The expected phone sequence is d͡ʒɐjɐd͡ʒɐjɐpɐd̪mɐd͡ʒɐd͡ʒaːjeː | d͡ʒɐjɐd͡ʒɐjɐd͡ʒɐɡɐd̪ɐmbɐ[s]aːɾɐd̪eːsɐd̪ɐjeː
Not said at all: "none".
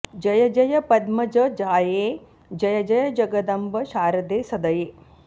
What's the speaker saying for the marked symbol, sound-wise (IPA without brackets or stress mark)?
ʃ